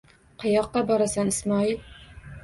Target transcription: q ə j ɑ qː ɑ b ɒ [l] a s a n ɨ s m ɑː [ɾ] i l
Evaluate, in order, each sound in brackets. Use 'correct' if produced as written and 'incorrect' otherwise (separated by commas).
incorrect, incorrect